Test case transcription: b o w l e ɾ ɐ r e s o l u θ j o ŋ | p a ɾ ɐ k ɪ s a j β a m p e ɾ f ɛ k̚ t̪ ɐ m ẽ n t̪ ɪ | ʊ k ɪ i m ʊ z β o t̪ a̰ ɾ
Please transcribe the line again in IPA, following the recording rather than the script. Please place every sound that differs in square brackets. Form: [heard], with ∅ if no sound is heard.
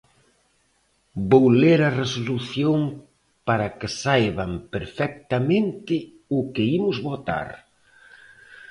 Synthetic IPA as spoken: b o w l e ɾ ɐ r e s o l u θ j o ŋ | p a ɾ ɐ k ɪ s a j β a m p e ɾ f ɛ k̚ t̪ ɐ m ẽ n t̪ ɪ | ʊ k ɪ i m ʊ z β o t̪ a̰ ɾ